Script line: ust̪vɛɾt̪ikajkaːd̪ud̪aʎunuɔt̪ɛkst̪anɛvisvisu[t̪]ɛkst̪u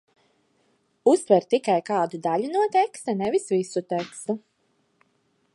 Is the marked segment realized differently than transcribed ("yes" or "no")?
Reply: no